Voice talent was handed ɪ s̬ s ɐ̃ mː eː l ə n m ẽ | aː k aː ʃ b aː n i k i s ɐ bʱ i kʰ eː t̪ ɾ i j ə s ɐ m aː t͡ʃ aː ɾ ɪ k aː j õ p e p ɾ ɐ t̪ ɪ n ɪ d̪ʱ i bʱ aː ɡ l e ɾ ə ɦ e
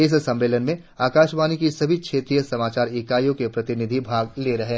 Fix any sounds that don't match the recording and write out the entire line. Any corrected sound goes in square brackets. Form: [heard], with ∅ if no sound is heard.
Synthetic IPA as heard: ɪ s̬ s ɐ̃ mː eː l ə n m ẽ | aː k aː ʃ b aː n i k i s ɐ bʱ i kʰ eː t̪ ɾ i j ə s ɐ m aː t͡ʃ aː ɾ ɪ k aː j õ [k] e p ɾ ɐ t̪ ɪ n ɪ d̪ʱ i bʱ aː ɡ l e ɾ [ɐ] ɦ e